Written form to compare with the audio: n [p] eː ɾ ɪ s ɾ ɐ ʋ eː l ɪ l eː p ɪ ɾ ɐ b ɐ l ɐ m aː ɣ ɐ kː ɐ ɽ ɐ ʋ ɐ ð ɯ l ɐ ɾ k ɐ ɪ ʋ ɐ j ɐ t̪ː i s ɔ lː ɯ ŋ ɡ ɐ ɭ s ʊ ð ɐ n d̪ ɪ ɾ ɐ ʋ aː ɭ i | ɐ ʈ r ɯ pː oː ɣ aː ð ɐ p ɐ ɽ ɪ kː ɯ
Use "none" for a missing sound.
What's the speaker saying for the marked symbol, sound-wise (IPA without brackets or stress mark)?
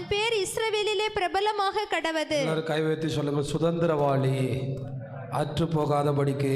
p